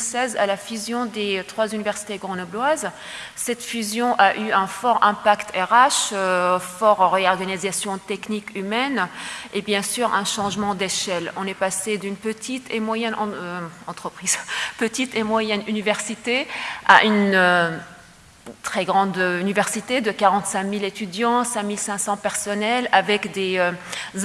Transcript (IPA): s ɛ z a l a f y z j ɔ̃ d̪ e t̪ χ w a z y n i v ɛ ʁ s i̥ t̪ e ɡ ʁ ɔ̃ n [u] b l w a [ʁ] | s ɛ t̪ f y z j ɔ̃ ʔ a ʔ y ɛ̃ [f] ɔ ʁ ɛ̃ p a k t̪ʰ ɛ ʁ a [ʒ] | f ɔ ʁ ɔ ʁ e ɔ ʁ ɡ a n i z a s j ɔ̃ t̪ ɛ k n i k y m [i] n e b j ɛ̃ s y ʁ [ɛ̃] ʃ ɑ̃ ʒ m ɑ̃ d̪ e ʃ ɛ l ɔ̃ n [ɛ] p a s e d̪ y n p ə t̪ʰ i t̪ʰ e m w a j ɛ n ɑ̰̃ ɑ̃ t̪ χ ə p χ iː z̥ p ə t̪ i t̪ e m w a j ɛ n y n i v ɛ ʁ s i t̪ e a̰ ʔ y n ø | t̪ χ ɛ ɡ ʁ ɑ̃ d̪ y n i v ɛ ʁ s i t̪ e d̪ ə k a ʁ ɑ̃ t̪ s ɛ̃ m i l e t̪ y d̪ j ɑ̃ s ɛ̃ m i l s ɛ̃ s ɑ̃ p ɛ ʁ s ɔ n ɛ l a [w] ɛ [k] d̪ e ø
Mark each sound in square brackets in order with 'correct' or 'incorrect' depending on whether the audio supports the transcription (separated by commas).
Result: incorrect, incorrect, correct, incorrect, incorrect, correct, correct, incorrect, correct